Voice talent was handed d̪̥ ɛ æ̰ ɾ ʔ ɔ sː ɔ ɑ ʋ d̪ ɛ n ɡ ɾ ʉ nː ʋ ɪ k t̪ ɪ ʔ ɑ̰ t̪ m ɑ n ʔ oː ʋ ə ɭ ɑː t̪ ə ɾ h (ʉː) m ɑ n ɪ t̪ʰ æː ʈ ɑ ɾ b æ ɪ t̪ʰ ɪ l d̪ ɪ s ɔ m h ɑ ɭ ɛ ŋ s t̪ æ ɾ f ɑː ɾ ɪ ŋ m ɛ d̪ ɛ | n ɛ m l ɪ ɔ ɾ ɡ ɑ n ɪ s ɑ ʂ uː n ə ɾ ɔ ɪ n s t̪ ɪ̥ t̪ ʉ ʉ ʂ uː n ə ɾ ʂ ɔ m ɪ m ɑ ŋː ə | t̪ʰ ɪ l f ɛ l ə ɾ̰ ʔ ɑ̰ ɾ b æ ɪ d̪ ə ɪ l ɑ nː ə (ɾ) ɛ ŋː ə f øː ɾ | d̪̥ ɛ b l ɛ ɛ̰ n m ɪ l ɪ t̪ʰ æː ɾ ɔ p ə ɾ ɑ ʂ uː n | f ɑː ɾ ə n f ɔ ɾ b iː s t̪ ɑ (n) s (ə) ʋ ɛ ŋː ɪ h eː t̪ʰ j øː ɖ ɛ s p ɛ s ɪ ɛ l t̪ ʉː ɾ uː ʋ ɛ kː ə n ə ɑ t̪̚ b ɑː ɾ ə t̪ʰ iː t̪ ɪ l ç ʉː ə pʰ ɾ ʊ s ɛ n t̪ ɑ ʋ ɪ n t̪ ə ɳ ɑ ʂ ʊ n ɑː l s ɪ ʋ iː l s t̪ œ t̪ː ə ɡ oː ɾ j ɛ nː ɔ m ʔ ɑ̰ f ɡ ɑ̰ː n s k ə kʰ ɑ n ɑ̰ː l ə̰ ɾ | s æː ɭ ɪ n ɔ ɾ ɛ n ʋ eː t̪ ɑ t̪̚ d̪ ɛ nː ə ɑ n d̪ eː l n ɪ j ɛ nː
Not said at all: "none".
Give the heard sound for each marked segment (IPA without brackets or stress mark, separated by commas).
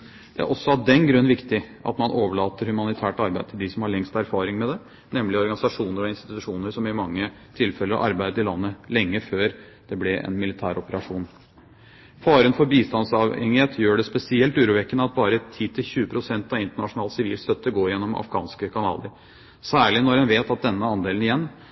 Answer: ʉ, l, n, ɑ